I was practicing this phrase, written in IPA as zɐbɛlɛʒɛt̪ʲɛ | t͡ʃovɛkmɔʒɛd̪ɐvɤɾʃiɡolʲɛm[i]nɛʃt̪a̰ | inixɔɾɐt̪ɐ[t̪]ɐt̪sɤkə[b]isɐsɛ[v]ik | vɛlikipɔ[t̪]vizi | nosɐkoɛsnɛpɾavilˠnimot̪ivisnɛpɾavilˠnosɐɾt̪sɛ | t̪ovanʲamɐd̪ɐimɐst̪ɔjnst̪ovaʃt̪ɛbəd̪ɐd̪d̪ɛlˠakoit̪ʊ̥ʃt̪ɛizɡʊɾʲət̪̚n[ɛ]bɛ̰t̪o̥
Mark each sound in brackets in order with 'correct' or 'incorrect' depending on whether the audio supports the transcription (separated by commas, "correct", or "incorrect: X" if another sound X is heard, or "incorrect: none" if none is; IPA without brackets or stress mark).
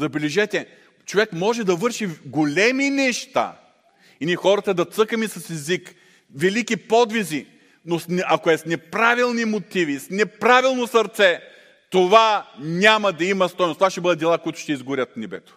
correct, incorrect: d̪, incorrect: m, incorrect: z, incorrect: d̪, correct